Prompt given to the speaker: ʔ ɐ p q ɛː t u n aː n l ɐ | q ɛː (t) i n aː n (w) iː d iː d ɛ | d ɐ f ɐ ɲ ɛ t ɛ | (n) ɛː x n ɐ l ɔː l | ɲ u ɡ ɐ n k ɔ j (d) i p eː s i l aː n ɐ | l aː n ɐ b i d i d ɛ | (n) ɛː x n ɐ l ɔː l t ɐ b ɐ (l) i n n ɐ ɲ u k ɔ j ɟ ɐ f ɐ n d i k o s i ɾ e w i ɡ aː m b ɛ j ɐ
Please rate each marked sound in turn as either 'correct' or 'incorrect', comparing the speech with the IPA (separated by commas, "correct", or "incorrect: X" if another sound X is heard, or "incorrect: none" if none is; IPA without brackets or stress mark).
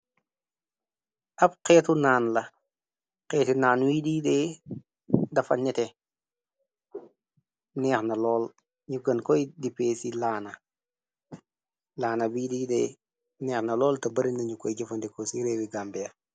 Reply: correct, correct, correct, correct, correct, incorrect: ɾ